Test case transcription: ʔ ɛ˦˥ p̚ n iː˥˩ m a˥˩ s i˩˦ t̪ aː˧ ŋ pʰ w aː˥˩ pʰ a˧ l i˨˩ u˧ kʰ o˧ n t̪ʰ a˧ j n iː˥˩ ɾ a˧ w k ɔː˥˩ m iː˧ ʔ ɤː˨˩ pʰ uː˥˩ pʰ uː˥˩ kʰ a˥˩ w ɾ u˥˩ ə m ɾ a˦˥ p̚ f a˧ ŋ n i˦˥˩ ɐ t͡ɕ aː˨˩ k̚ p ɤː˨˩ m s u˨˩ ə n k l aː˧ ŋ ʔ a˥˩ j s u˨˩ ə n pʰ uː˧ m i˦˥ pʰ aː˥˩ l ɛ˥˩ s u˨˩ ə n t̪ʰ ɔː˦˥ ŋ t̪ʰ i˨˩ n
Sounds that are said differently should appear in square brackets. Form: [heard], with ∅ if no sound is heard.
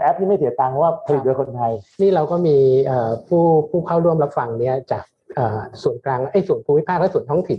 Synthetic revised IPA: ʔ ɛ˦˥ p̚ n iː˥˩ m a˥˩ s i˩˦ t̪ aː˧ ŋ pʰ w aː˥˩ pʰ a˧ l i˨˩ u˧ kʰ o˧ n t̪ʰ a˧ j n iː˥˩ ɾ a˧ w k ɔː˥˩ m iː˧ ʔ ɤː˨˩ pʰ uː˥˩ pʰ uː˥˩ kʰ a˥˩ w ɾ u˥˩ ə m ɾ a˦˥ p̚ f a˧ ŋ n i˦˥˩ ɐ t͡ɕ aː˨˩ k̚ [ʔ] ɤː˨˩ [∅] s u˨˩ ə n k l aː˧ ŋ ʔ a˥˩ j s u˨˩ ə n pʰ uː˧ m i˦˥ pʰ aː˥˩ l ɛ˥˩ s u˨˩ ə n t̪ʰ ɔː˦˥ ŋ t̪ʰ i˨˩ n

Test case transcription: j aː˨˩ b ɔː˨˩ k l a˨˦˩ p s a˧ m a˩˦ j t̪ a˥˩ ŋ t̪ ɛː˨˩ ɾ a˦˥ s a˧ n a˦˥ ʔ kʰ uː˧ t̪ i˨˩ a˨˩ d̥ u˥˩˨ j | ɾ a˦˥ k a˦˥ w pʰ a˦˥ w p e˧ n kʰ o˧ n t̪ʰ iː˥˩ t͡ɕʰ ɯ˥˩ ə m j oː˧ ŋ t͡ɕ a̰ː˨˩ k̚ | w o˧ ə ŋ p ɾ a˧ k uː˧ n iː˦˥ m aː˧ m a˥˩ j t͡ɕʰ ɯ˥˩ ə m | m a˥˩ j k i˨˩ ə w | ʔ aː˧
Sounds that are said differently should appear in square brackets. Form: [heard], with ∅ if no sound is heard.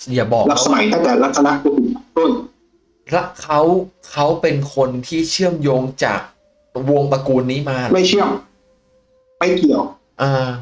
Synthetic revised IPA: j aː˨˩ b ɔː˨˩ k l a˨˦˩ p s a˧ m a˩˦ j t̪ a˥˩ ŋ t̪ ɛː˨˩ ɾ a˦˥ s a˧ n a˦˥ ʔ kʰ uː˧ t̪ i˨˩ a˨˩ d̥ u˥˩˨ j | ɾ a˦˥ [kʰ] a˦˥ w [kʰ] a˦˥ w p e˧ n kʰ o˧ n t̪ʰ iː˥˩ t͡ɕʰ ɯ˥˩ ə m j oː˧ ŋ t͡ɕ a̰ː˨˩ k̚ | w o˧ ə ŋ p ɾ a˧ k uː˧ [nː] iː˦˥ m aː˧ m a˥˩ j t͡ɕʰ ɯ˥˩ ə m | m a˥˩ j k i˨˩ ə w | ʔ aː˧

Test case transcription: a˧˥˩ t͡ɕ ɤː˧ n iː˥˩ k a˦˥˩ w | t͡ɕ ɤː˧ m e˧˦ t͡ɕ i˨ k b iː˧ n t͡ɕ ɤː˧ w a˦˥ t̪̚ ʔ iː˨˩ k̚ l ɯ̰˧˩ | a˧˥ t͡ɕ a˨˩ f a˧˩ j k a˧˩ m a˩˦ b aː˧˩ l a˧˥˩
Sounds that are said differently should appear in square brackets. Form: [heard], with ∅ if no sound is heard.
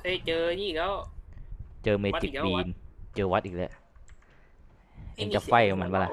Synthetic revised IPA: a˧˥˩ t͡ɕ ɤː˧ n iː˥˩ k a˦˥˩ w | t͡ɕ ɤː˧ m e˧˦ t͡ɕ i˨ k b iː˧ n t͡ɕ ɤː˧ w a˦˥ t̪̚ ʔ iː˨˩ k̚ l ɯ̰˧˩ | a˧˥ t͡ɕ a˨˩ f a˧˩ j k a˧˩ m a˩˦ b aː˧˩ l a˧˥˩

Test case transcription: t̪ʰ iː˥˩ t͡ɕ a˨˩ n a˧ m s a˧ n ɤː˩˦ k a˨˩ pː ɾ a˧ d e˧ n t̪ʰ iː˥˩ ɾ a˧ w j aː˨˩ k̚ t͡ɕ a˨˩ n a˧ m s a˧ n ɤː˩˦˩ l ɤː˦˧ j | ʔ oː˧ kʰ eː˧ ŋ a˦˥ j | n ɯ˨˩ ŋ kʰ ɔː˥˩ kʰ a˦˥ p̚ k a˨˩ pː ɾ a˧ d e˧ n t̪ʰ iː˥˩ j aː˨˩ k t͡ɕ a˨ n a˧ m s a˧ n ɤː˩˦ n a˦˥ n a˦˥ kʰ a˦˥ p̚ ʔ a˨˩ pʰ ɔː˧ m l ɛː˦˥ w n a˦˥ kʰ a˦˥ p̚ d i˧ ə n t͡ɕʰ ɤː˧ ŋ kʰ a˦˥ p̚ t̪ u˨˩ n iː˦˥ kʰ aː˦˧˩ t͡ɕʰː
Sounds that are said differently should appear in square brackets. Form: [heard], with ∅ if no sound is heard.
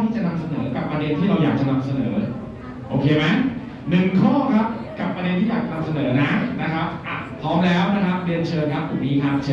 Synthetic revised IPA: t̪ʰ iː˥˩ t͡ɕ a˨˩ n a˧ m s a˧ n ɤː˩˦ k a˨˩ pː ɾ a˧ d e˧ n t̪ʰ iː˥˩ ɾ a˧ w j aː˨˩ k̚ t͡ɕ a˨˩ n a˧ m s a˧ n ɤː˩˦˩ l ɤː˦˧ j | ʔ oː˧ kʰ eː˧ [m] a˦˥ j | n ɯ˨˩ ŋ kʰ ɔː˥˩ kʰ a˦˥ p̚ k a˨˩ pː ɾ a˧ d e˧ n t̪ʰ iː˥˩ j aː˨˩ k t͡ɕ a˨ n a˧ m s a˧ n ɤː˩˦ n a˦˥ n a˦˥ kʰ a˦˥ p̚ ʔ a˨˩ pʰ [ɔː˦˥] m l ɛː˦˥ w n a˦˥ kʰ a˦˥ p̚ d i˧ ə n t͡ɕʰ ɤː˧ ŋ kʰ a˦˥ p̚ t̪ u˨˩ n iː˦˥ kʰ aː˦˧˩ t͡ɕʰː

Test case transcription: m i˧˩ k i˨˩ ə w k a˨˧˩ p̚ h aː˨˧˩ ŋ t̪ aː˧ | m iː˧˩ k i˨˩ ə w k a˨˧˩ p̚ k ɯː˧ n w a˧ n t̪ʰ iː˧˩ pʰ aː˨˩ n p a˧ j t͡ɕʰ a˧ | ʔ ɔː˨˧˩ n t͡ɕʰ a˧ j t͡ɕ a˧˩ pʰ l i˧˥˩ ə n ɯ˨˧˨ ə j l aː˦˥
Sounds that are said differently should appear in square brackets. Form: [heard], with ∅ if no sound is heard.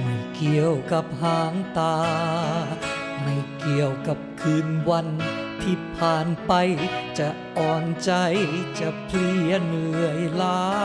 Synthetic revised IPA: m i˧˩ k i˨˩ ə w k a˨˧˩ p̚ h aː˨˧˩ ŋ t̪ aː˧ | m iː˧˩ k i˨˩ ə w k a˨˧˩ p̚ [kʰ] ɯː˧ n w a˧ n t̪ʰ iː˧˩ pʰ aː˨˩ n p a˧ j [t͡ɕ] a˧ | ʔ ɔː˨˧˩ n [t͡ɕ] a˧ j t͡ɕ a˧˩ pʰ l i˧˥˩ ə n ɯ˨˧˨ ə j l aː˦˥

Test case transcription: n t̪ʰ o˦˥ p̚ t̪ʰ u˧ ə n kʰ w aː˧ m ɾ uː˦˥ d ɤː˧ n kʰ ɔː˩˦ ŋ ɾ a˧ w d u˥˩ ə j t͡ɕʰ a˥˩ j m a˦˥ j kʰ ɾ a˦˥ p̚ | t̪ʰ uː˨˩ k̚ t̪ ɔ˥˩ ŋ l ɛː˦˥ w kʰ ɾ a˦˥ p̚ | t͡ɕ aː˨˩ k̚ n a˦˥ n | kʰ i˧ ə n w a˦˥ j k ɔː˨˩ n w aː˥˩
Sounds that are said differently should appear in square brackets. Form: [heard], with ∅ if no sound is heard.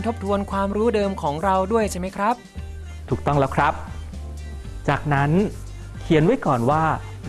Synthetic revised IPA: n t̪ʰ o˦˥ p̚ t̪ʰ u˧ ə n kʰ w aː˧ m ɾ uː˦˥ d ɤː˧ [m] kʰ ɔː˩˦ ŋ ɾ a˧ w d u˥˩ ə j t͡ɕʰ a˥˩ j m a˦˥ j kʰ ɾ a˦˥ p̚ | t̪ʰ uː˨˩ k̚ t̪ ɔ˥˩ ŋ l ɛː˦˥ w kʰ ɾ a˦˥ p̚ | t͡ɕ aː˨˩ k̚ n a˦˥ n | kʰ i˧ ə n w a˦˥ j k ɔː˨˩ n w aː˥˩

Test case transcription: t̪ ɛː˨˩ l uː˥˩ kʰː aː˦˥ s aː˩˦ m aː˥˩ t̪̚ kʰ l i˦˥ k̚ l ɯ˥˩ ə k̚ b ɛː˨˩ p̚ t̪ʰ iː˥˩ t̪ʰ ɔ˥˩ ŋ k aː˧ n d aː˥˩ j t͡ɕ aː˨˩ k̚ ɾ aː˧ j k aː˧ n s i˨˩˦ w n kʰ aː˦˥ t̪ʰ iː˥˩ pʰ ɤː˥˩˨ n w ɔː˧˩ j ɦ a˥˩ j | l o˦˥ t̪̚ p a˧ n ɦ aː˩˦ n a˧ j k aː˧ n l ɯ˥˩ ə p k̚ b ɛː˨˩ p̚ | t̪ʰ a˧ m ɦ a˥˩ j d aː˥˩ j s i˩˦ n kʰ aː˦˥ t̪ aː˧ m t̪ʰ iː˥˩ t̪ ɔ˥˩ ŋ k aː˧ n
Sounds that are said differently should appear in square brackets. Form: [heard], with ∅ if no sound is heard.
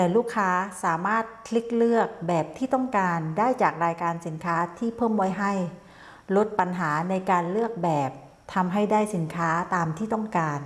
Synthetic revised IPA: t̪ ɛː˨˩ l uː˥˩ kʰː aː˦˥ s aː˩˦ m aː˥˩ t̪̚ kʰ l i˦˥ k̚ l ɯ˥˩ ə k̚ b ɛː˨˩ p̚ t̪ʰ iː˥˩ [t̪] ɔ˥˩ ŋ k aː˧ n d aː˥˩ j t͡ɕ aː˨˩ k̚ ɾ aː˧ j k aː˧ n s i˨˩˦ [∅] n kʰ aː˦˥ t̪ʰ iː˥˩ pʰ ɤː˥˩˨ [m] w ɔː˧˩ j ɦ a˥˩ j | l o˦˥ t̪̚ p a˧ n ɦ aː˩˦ n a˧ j k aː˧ n l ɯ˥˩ ə [∅] k̚ b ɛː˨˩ p̚ | t̪ʰ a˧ m ɦ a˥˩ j d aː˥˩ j s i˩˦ n kʰ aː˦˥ t̪ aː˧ m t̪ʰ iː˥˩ t̪ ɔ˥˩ ŋ k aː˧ n

